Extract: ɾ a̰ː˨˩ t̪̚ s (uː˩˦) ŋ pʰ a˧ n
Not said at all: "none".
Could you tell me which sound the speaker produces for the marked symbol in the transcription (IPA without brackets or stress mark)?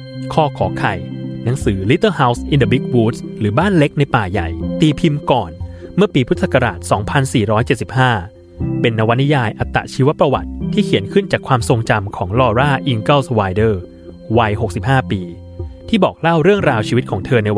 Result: ɔː˩˦